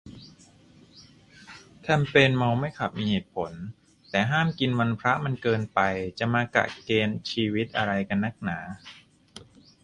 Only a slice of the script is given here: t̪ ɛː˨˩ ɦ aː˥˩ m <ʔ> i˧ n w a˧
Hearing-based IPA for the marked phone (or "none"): k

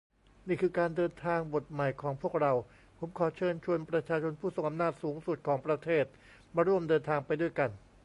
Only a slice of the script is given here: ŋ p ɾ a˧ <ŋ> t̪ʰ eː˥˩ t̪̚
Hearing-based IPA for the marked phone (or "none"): none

